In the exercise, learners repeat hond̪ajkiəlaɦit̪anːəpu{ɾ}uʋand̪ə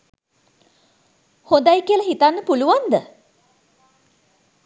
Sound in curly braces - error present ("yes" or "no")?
yes